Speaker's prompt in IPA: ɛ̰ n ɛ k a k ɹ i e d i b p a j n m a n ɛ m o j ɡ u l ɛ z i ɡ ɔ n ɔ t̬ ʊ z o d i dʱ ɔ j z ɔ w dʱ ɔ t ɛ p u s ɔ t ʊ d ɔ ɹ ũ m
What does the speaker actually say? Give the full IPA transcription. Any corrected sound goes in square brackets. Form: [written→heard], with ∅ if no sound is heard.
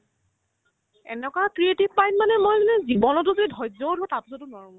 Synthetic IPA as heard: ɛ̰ n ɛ k a k ɹ i e [d→t] i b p a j n m a n ɛ m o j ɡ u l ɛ z i [ɡ→b] ɔ n ɔ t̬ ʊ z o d i dʱ ɔ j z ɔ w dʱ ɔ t [ɛ→a] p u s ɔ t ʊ [d→n] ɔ ɹ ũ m

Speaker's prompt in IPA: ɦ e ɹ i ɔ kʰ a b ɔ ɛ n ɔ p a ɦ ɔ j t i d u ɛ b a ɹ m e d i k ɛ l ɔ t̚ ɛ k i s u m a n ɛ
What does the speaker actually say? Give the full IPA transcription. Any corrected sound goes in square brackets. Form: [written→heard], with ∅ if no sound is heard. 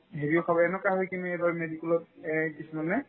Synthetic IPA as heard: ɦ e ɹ i ɔ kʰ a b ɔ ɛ n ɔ [p→k] a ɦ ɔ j [t→k] i [d→n] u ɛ b a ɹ m e d i k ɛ l ɔ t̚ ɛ k i s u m a n ɛ

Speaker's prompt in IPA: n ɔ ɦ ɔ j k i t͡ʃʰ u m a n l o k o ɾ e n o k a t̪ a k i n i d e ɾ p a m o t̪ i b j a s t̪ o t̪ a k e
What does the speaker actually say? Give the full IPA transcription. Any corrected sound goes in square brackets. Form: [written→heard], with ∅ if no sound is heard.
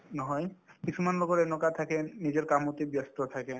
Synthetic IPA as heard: n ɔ ɦ ɔ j k i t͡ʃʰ u m a n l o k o ɾ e n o k a [t̪→t̪ʰ] a k [i→e] n i [d→d͡ʑ] e ɾ [p→k] a m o t̪ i b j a s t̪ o [t̪→t̪ʰ] a k e

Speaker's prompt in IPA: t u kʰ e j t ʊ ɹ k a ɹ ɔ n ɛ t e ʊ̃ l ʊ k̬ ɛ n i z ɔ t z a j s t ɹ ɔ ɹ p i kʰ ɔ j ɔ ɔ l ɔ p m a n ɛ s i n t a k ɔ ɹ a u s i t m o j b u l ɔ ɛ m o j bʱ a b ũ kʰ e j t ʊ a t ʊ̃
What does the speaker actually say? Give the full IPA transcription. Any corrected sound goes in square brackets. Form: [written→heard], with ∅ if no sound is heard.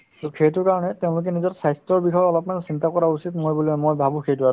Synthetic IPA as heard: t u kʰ e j t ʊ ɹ k a ɹ ɔ n ɛ t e ʊ̃ l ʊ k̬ ɛ n i z ɔ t [z→s] a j s t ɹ ɔ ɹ [p→b] i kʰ ɔ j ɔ ɔ l ɔ p m a n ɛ s i n t a k ɔ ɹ a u s i t m o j b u l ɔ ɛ m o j bʱ a b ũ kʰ e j t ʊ a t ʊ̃

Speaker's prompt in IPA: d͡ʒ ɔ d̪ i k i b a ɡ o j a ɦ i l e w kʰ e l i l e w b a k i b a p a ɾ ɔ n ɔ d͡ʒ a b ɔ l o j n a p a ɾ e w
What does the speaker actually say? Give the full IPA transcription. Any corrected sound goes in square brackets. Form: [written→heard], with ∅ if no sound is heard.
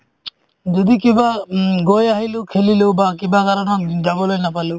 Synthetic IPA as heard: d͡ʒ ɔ d̪ i k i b a ɡ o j a ɦ i l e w kʰ e l i l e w b a k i b a [p→k] a ɾ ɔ n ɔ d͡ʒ a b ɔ l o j n a p a [ɾ→l] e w

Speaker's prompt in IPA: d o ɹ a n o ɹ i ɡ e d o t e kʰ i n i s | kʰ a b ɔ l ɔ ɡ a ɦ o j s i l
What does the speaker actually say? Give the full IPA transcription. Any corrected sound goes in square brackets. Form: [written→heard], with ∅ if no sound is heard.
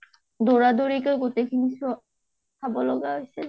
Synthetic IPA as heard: d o ɹ a [n→d] o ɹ i [ɡ→k] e [d→ɡ] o t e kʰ i n i s | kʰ a b ɔ l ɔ ɡ a ɦ o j s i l

